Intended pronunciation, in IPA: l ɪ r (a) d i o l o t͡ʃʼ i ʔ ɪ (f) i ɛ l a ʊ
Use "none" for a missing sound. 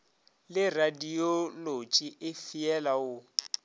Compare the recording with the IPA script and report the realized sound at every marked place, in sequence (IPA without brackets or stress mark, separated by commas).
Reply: a, f